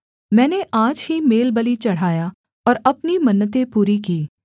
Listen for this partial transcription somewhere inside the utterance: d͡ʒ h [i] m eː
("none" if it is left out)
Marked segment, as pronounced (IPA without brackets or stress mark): i